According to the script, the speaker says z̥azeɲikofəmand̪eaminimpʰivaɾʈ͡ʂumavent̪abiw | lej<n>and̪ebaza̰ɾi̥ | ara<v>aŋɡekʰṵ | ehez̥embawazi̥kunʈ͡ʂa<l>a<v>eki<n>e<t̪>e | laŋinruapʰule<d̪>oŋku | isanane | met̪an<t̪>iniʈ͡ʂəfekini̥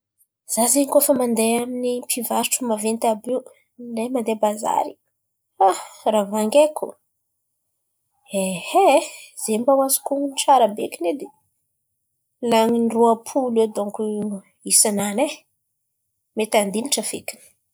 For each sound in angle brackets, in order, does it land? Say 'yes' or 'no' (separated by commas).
no, yes, no, no, yes, no, yes, no